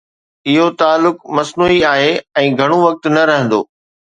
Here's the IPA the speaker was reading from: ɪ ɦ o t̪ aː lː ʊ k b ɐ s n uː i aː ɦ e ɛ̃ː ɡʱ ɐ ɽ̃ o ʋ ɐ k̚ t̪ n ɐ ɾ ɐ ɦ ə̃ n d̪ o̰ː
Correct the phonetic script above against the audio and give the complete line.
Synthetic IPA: ɪ ɦ o t̪ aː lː ʊ k m ɐ s n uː i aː ɦ e ɛ̃ː ɡʱ ɐ ɽ̃ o ʋ ɐ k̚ t̪ n ɐ ɾ ɐ ɦ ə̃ n d̪ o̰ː